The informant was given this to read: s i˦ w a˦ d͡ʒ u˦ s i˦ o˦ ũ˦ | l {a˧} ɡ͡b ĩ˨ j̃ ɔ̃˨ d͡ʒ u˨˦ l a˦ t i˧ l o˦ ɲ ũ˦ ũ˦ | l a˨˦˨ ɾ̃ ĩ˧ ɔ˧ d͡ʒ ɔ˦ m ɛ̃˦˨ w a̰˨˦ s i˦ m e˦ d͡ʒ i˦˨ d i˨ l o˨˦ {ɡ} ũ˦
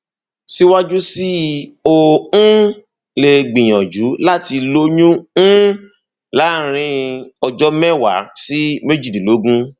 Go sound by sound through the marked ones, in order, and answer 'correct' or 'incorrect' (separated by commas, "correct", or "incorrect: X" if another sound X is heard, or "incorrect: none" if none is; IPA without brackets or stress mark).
incorrect: e˧, correct